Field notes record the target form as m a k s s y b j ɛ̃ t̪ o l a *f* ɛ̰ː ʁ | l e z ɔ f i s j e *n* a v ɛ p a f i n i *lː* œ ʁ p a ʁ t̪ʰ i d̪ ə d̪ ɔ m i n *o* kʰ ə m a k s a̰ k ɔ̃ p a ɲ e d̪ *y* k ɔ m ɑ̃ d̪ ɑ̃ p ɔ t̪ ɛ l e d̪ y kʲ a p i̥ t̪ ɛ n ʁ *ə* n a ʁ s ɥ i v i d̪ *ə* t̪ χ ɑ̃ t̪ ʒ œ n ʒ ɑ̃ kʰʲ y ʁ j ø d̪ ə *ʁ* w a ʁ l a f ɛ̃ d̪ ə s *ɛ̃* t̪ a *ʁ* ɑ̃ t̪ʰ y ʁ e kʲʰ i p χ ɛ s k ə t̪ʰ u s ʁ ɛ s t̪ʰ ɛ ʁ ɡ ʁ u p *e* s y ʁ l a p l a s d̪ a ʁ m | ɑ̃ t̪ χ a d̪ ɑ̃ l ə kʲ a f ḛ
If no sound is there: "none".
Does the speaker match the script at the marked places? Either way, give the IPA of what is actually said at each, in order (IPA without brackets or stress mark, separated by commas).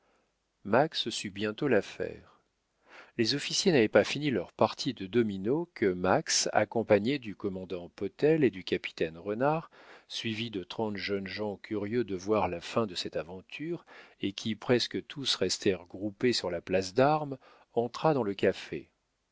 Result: f, n, l, o, y, ə, ə, v, ɛ, v, e